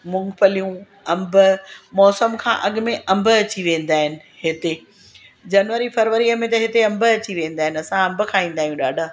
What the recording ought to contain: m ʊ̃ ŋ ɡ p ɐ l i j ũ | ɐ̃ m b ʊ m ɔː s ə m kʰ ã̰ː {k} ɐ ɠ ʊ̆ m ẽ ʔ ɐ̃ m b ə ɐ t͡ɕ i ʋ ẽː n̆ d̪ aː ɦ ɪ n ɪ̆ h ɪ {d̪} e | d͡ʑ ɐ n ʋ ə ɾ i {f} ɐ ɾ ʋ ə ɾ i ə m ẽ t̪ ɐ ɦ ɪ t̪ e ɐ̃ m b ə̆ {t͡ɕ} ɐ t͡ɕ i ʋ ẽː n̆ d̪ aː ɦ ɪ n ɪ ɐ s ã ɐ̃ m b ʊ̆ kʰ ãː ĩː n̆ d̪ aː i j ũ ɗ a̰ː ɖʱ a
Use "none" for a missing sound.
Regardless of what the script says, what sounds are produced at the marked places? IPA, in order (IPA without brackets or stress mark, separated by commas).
ʔ, t̪, f, none